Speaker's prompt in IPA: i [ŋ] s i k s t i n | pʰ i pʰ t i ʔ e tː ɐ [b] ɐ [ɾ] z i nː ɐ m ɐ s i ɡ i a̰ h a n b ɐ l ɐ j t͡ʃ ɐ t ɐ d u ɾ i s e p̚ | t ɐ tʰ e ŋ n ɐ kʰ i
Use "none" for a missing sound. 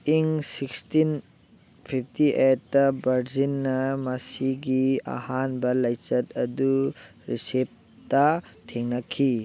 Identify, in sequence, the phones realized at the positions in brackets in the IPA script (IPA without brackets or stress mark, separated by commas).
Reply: ŋ, b, ɾ